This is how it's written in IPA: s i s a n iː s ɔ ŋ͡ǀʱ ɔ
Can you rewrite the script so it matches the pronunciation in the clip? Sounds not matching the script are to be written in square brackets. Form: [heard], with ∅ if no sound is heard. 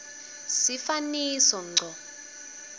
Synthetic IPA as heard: s i [f] a n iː s ɔ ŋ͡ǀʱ ɔ